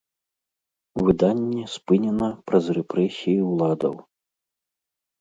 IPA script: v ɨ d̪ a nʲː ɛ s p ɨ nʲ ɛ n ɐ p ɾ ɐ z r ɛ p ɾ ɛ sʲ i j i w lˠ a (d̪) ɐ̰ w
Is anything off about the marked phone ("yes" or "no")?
no